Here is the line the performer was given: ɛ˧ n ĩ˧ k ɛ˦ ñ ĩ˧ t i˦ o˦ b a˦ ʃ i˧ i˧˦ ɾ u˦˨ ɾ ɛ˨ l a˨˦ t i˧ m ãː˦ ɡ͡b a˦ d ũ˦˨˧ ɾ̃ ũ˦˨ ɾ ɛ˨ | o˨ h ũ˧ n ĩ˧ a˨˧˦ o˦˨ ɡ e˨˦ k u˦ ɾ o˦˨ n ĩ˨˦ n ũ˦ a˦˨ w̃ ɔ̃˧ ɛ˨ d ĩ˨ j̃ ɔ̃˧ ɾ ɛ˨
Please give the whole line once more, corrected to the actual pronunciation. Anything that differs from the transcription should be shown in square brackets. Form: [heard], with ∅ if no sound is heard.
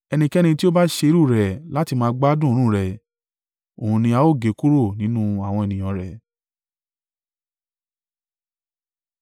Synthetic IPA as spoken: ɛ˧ n ĩ˧ k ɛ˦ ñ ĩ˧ t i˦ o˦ b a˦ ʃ [e˧] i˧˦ ɾ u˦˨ ɾ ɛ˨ l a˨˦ t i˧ m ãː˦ ɡ͡b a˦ d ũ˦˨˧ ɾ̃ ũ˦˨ ɾ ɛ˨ | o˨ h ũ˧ n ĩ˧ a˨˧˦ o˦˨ ɡ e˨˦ k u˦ ɾ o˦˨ n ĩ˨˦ n ũ˦ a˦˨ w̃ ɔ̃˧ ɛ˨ [n] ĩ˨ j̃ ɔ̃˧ ɾ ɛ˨

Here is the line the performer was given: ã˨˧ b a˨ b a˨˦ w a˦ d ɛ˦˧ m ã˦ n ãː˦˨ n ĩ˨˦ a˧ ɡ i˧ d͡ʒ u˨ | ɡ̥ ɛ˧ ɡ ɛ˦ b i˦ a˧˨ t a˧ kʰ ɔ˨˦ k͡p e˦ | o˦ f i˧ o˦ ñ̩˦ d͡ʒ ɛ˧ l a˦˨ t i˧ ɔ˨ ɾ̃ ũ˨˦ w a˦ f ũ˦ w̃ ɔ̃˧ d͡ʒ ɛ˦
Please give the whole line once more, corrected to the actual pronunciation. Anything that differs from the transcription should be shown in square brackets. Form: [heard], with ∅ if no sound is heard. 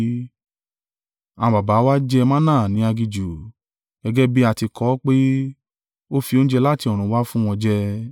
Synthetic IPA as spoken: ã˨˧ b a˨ b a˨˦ w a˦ [d͡ʒ] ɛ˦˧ m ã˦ n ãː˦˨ n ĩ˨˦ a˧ ɡ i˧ d͡ʒ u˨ | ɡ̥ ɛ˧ ɡ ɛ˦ b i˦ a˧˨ t [i˧] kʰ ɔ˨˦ k͡p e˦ | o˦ f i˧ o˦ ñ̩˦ d͡ʒ ɛ˧ l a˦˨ t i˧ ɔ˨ ɾ̃ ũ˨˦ w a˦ f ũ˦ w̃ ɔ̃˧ d͡ʒ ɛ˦

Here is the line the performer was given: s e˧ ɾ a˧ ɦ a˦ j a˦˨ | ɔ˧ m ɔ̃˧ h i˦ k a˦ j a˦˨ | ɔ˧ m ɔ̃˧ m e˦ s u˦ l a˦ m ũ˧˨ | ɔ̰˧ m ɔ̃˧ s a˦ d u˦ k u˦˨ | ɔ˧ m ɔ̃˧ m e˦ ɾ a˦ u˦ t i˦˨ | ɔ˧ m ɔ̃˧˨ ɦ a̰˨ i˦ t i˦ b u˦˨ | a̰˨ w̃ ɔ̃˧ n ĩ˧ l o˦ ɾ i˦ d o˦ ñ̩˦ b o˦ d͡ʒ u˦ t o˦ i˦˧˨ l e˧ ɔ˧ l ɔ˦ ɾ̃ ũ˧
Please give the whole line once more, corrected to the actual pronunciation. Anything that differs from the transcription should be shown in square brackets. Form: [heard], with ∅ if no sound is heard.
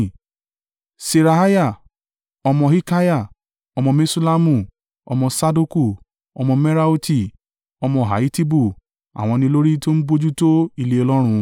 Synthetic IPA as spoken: s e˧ ɾ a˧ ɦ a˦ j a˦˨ | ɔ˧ m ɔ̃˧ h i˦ k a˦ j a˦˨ | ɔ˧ m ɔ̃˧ m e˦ s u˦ l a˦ m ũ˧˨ | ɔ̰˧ m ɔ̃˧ s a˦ d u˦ k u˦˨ | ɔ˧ m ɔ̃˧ m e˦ ɾ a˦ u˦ t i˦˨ | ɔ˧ m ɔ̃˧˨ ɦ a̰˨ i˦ t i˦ b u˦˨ | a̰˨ w̃ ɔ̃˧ n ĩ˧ l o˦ ɾ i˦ [t] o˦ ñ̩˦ b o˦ d͡ʒ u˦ t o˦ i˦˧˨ l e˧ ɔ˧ l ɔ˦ ɾ̃ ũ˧

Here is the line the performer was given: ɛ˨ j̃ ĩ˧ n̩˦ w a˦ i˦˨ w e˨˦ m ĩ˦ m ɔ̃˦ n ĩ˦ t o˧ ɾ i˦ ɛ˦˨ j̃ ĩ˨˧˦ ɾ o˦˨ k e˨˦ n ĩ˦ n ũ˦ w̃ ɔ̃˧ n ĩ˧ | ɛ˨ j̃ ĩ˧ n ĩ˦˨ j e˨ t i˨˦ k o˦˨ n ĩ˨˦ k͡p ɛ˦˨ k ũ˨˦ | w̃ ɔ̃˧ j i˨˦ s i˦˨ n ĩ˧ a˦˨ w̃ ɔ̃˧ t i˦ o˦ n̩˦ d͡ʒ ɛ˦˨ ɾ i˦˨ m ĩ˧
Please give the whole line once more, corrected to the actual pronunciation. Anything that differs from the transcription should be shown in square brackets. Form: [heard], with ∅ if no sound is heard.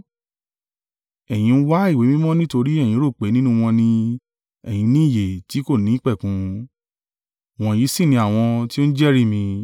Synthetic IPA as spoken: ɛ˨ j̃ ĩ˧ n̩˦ w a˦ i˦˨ w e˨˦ m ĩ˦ m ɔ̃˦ n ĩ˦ t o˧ ɾ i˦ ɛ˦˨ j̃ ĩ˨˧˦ ɾ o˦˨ [k͡p] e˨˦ n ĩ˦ n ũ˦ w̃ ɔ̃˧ n ĩ˧ | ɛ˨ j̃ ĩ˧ n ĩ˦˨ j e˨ t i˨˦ k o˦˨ n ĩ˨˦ k͡p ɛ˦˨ k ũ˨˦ | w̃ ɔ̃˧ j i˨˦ s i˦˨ n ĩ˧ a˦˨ w̃ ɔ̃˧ t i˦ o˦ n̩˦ d͡ʒ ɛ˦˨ ɾ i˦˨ m ĩ˧

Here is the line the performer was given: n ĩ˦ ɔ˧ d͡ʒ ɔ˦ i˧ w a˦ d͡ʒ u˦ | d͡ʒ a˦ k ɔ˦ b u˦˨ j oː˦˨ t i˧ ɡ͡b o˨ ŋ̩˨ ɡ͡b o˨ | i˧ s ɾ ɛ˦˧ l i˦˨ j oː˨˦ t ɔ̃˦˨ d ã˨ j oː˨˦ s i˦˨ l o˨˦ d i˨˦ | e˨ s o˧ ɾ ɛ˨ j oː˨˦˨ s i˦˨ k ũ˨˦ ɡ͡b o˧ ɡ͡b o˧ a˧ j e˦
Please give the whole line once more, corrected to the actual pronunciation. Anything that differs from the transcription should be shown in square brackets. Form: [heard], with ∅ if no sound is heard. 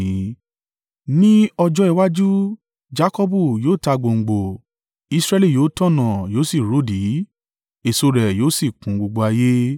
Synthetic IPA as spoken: n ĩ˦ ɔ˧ d͡ʒ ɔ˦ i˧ w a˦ d͡ʒ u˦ | d͡ʒ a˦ k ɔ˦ b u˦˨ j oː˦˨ t [a˧] ɡ͡b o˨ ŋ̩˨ ɡ͡b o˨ | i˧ s ɾ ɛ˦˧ l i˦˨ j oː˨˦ t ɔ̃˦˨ [n] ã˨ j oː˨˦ s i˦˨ [ɾ] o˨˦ d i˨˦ | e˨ s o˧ ɾ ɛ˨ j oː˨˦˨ s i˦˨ k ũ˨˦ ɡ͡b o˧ ɡ͡b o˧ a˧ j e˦

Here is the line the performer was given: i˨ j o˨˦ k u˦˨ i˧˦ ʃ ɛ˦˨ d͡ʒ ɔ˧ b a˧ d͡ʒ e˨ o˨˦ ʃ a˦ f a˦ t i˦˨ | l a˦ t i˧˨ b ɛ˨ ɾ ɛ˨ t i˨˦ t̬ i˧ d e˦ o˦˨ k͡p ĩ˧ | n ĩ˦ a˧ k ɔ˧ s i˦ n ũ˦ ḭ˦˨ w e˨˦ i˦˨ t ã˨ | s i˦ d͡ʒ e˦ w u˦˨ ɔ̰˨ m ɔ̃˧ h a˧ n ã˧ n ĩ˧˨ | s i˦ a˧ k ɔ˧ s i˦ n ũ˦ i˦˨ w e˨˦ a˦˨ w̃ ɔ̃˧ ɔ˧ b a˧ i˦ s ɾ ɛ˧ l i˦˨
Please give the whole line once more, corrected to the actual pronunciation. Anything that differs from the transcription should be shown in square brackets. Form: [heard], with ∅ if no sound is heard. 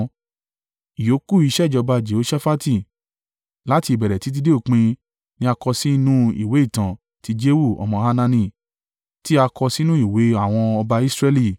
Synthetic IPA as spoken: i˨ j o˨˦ k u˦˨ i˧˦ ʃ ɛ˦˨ d͡ʒ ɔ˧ b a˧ d͡ʒ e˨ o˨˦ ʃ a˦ f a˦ t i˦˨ | l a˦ t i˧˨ b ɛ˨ ɾ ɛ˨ t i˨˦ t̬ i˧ d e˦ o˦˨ k͡p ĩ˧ | n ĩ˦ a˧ k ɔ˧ s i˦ n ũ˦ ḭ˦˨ w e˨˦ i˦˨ t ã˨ | [t] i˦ d͡ʒ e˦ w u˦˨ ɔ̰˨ m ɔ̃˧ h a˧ n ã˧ n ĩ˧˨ | [t] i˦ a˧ k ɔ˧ s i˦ n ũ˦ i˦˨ w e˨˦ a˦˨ w̃ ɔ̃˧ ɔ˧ b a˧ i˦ s ɾ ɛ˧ l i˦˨

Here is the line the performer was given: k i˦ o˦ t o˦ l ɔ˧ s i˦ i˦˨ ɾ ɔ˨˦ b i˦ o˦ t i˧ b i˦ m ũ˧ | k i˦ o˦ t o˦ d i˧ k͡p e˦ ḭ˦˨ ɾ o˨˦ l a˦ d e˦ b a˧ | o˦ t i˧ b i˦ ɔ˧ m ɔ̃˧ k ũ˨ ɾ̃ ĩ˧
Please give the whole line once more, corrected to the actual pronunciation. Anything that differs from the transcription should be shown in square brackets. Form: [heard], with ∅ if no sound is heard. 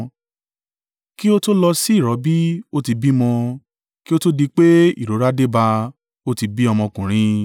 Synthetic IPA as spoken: k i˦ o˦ t o˦ l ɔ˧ s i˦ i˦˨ ɾ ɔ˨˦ b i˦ o˦ t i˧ b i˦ m [ɔ̃˧] | k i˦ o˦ t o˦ d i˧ k͡p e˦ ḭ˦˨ ɾ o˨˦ [ɾ] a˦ d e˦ b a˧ | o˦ t i˧ b i˦ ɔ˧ m ɔ̃˧ k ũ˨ ɾ̃ ĩ˧

